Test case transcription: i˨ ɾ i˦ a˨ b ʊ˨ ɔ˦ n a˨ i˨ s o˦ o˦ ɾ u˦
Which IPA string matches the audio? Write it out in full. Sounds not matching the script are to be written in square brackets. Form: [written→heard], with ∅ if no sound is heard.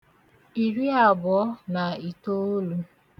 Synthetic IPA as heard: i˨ ɾ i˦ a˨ b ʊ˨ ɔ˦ n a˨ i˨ [s→t] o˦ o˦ [ɾ→l] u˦

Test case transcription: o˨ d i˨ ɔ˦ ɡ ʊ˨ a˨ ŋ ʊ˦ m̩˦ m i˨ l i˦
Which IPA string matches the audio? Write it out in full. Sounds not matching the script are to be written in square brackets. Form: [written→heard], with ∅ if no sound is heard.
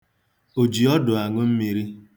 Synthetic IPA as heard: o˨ [d→d͡ʒ] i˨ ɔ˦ [ɡ→d] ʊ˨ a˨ ŋ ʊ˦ m̩˦ m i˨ [l→ɾ] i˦

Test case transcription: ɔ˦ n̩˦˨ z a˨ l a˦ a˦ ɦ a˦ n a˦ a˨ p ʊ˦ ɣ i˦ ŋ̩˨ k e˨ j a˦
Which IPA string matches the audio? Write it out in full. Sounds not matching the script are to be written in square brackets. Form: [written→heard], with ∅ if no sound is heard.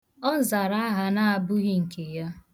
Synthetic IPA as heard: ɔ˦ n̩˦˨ z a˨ [l→ɾ] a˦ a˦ ɦ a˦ n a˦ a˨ [p→b] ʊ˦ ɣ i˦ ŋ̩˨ k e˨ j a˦

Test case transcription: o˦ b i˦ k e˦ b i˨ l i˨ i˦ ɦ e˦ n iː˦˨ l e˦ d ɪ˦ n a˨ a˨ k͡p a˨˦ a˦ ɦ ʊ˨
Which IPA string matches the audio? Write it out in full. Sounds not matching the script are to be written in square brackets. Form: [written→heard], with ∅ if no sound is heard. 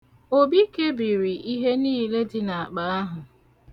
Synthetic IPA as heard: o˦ b i˦ k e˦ b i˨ [l→ɾ] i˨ i˦ ɦ e˦ n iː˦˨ l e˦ d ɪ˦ n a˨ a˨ k͡p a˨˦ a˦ ɦ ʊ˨

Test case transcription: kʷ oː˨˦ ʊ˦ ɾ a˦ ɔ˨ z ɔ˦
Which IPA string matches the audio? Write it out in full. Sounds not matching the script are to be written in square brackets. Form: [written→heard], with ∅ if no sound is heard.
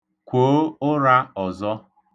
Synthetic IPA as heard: kʷ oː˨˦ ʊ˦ ɾ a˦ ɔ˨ z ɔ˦

